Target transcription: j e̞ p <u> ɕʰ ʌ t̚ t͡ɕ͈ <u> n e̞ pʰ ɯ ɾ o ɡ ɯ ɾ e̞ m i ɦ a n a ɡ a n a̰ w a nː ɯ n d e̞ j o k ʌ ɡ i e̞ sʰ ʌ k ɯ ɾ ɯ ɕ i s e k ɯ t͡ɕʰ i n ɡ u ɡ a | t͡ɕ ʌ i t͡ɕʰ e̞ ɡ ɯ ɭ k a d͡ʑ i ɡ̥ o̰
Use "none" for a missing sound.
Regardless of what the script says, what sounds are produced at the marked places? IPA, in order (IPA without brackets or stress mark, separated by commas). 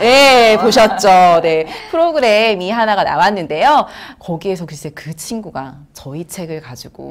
o, o